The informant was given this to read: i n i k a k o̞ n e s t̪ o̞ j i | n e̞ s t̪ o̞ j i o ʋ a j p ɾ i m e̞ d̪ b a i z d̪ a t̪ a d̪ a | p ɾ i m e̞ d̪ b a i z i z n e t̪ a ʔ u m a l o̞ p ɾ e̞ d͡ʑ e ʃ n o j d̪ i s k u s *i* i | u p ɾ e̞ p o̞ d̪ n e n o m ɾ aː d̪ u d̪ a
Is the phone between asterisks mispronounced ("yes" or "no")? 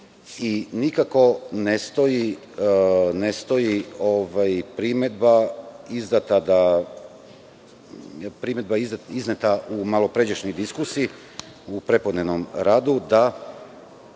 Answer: no